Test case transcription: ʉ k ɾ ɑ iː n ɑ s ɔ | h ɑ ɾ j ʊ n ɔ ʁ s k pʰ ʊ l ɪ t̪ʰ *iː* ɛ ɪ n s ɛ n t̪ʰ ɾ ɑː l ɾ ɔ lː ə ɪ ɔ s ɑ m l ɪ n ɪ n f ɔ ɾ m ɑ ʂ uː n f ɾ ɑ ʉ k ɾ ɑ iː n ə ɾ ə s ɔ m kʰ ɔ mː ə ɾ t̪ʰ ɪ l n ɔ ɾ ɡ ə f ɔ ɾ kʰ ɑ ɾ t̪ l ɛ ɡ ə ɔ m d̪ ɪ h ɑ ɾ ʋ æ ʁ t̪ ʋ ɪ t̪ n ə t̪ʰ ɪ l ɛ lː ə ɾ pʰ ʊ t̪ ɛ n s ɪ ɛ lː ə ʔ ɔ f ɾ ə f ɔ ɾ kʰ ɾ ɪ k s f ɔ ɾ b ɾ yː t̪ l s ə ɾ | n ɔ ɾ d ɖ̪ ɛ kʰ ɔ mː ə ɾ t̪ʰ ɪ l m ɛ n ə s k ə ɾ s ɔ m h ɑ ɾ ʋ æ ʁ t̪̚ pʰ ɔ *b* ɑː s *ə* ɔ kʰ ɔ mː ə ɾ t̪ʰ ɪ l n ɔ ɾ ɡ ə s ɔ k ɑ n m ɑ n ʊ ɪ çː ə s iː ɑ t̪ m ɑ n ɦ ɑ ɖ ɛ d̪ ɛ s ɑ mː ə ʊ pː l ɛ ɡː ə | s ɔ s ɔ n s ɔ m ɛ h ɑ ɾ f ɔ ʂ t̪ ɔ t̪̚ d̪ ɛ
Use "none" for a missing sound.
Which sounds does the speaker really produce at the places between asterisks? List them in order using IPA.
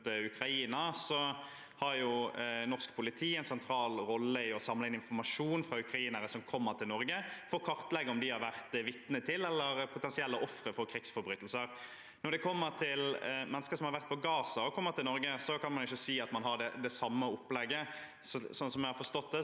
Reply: iː, ɡ, ɑ

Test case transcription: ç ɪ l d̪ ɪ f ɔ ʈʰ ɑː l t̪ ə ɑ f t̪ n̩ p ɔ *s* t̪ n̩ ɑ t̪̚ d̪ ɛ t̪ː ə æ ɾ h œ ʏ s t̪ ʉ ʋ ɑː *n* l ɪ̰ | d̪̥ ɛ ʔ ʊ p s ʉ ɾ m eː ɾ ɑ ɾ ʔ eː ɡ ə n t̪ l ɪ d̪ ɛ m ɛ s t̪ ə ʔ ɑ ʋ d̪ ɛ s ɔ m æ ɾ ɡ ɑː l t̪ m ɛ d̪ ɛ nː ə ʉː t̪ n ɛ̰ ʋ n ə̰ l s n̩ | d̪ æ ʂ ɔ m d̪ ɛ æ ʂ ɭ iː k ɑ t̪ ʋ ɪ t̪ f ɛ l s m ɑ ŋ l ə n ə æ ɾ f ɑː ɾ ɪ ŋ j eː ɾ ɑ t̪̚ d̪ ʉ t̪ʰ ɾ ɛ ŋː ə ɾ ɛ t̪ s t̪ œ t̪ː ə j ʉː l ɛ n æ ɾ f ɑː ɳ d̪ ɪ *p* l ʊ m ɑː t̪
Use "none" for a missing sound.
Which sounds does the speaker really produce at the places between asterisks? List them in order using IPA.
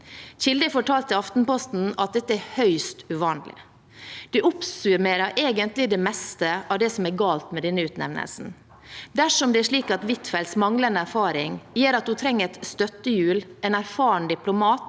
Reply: s, n, p

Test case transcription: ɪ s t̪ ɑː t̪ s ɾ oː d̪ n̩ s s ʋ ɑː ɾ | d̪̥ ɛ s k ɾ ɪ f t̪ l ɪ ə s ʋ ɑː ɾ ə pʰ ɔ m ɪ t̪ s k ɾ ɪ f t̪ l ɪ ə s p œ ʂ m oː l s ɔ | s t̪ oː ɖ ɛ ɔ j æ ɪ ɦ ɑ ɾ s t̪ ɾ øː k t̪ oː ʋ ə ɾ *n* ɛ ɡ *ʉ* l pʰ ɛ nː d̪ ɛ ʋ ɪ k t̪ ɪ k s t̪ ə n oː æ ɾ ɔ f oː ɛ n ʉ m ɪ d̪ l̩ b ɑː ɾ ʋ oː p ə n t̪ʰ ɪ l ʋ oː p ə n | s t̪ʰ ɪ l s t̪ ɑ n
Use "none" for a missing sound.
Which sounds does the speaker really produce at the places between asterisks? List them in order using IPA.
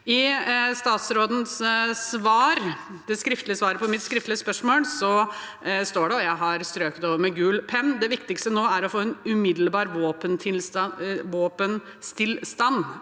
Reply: m, ʉː

